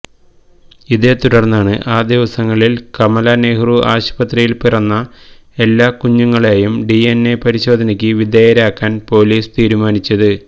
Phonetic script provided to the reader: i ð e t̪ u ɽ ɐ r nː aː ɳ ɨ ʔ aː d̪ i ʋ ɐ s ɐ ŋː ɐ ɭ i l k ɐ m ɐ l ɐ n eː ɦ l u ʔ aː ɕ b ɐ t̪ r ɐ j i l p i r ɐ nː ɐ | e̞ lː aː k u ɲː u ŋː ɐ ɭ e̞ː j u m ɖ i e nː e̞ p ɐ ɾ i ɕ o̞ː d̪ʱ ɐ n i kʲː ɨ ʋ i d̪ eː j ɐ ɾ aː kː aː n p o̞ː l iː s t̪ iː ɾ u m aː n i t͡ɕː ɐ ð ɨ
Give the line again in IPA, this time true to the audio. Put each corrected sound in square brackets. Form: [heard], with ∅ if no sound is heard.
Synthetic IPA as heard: i ð e t̪ u ɽ ɐ r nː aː ɳ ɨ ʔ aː d̪ i ʋ ɐ s ɐ ŋː ɐ ɭ i l k ɐ m ɐ l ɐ n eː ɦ [r] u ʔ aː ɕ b ɐ t̪ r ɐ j i l p i r ɐ nː ɐ | e̞ lː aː k u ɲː u ŋː ɐ ɭ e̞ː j u m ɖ i e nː e̞ p ɐ ɾ i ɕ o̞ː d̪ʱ ɐ n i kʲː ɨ ʋ i d̪ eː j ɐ ɾ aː kː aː n p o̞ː l iː s t̪ iː ɾ u m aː n i t͡ɕː ɐ ð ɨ

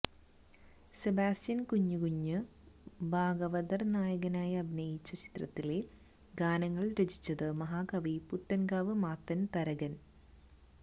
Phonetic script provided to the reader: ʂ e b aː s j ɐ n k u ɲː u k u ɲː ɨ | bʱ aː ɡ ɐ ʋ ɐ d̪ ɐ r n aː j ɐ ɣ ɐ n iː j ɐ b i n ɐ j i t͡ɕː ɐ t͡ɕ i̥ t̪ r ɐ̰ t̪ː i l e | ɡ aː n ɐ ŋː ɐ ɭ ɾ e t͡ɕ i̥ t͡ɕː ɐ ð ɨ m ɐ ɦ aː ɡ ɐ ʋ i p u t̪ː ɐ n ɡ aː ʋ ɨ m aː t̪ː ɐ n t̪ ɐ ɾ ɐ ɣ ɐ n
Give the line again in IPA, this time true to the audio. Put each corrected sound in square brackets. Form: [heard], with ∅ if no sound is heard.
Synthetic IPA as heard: [s] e b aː s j ɐ n k u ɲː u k u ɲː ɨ | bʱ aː ɡ ɐ ʋ ɐ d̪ ɐ r n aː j ɐ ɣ ɐ n [aː] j ɐ b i n ɐ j i t͡ɕː ɐ t͡ɕ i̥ t̪ r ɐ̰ t̪ː i l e | ɡ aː n ɐ ŋː ɐ ɭ ɾ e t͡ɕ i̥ t͡ɕː ɐ ð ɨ m ɐ ɦ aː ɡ ɐ ʋ i p u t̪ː ɐ n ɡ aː ʋ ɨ m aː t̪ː ɐ n t̪ ɐ ɾ ɐ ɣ ɐ n

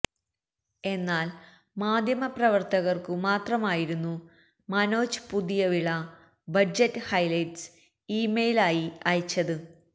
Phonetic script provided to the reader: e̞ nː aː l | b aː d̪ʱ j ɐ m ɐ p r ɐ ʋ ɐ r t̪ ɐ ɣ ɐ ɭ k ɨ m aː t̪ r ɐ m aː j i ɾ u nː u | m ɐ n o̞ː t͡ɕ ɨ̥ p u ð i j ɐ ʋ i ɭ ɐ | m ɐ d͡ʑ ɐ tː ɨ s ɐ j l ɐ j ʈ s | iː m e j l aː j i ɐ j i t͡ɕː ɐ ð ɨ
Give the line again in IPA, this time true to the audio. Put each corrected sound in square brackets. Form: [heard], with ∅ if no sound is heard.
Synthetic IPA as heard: e̞ nː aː l | [m] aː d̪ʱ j ɐ m ɐ p r ɐ ʋ ɐ r t̪ ɐ ɣ ɐ [r] k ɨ m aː t̪ r ɐ m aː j i ɾ u nː u | m ɐ n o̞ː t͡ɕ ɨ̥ p u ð i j ɐ ʋ i ɭ ɐ | [b] ɐ d͡ʑ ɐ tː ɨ [h] ɐ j l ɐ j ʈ s | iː m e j l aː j i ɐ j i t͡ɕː ɐ ð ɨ

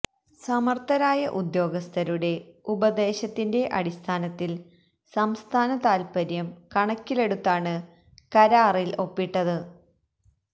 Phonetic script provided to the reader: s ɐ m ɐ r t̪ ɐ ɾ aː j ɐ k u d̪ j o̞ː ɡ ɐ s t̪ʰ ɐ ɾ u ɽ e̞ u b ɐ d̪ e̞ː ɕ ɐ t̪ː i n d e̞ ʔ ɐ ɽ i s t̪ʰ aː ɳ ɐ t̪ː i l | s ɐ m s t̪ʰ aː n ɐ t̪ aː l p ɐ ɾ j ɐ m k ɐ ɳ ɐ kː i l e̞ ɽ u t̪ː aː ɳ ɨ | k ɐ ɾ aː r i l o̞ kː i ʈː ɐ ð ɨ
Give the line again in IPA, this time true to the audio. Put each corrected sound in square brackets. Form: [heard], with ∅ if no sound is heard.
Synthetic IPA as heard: s ɐ m ɐ r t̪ ɐ ɾ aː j ɐ [ʔ] u d̪ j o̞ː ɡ ɐ s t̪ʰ ɐ ɾ u ɽ e̞ u b ɐ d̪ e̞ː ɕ ɐ t̪ː i n d e̞ ʔ ɐ ɽ i s t̪ʰ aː [n] ɐ t̪ː i l | s ɐ m s t̪ʰ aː n ɐ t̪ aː l p ɐ ɾ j ɐ m k ɐ ɳ ɐ kː i l e̞ ɽ u t̪ː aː ɳ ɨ | k ɐ ɾ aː r i l o̞ [pː] i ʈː ɐ ð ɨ

